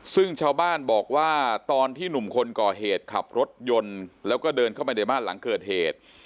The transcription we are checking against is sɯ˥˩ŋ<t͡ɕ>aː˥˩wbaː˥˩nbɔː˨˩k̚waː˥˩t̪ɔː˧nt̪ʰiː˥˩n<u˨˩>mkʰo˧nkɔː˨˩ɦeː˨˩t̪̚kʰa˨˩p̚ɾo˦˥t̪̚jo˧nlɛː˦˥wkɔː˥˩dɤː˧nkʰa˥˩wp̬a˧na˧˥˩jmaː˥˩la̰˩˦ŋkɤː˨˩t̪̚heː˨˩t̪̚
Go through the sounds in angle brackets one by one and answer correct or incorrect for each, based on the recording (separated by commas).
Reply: incorrect, correct